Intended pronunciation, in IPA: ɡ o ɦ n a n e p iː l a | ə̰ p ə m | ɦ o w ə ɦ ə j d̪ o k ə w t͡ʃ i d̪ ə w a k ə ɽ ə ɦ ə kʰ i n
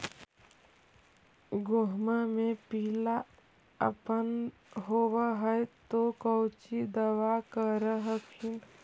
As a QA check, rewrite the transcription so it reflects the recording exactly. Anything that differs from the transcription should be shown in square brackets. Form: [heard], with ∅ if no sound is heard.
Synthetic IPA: ɡ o ɦ [m] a [m] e p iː l a | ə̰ p ə [n] | ɦ o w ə ɦ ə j [t̪] o k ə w t͡ʃ i d̪ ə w a k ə [ɾ] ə ɦ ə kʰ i n

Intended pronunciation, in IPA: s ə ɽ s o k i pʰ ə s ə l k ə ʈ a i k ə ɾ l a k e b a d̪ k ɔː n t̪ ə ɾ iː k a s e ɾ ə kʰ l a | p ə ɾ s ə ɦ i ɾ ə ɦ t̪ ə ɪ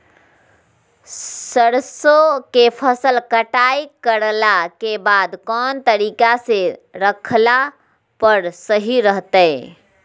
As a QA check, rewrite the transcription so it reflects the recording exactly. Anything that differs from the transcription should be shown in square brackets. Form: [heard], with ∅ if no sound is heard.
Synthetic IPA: s ə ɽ s o k [e] pʰ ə s ə l k ə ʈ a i k ə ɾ l a k e b a d̪ k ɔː n t̪ ə ɾ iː k a s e ɾ ə kʰ l a | p ə ɾ s ə ɦ i ɾ ə ɦ t̪ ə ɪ

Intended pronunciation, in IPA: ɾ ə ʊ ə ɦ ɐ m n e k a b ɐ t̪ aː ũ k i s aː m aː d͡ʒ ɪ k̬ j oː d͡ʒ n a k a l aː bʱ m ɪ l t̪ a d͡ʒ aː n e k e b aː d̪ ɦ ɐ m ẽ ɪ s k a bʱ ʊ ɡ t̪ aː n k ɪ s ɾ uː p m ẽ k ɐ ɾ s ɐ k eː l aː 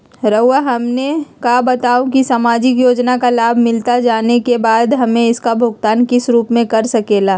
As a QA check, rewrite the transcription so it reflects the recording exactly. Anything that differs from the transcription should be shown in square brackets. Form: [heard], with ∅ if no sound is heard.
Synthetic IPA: ɾ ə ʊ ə ɦ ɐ m n e k a b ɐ t̪ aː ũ k i s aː m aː d͡ʒ ɪ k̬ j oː d͡ʒ n a k a l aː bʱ m ɪ l t̪ a d͡ʒ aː n e k e b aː d̪ ɦ ɐ m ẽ ɪ s k a bʱ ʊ ɡ t̪ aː n k ɪ s ɾ uː p m ẽ k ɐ ɾ s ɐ k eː l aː

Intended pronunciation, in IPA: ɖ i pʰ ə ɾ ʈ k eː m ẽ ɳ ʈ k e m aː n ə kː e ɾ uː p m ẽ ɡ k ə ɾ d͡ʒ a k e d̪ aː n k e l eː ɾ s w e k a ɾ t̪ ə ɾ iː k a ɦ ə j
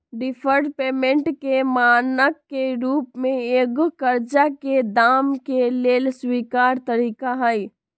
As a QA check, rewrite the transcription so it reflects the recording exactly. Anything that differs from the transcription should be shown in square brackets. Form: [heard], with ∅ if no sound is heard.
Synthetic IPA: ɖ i pʰ ə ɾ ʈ [p] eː m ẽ ɳ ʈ k e m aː n ə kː e ɾ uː p m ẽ ɡ k ə ɾ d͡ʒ a k e d̪ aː [m] k e l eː [l] s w [i] k a ɾ t̪ ə ɾ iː k a ɦ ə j

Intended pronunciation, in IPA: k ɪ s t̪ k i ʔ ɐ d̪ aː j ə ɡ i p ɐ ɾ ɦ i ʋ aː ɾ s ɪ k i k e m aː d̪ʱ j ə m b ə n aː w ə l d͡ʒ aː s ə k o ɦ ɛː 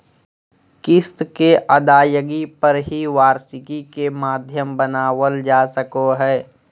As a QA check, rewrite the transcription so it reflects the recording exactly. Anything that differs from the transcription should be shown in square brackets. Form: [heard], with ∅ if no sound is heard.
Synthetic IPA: k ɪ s t̪ k [e] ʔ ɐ d̪ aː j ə ɡ i p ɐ ɾ ɦ i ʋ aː ɾ s ɪ k i k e m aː d̪ʱ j ə m b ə n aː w ə l d͡ʒ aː s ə k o ɦ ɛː

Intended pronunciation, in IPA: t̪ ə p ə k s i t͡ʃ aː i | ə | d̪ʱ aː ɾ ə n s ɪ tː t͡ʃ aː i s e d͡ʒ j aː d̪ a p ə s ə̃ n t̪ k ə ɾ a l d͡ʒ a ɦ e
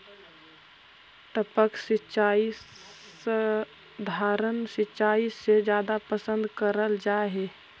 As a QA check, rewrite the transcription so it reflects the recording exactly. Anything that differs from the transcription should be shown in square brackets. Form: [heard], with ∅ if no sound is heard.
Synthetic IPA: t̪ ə p ə k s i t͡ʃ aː i | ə | d̪ʱ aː ɾ ə n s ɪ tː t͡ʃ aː i s e d͡ʒ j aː d̪ a p ə s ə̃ n [d̪] k ə ɾ [ə] l d͡ʒ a ɦ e

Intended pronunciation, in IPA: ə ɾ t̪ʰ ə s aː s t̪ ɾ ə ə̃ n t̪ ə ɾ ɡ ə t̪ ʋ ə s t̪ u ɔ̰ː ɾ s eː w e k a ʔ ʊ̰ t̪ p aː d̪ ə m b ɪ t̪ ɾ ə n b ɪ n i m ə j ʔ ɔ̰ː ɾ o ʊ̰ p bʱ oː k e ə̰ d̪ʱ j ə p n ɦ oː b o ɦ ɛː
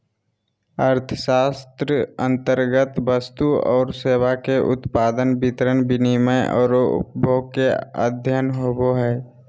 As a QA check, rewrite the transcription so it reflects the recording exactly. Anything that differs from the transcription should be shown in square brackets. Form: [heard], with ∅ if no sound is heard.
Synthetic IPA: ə ɾ t̪ʰ ə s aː s t̪ ɾ ə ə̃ n t̪ ə ɾ ɡ ə t̪ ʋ ə s t̪ u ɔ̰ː ɾ s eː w [a] k [e] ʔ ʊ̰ t̪ p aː d̪ ə [n] b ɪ t̪ ɾ ə n b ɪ n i m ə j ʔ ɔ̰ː ɾ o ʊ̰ p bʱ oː k e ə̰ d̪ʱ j ə [∅] n ɦ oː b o ɦ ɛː

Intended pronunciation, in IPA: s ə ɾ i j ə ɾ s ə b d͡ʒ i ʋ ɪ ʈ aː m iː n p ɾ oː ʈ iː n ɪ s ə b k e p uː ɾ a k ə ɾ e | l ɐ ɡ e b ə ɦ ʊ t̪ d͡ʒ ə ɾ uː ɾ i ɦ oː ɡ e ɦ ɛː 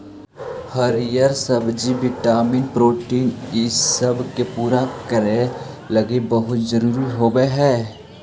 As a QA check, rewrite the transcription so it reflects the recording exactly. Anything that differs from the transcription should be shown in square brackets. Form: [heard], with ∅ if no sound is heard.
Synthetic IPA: [h] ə ɾ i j ə ɾ s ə b d͡ʒ i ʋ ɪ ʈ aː m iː n p ɾ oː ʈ iː n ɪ s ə b k e p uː ɾ a k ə ɾ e | l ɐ ɡ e b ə ɦ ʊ t̪ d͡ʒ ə ɾ uː ɾ i ɦ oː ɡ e ɦ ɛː

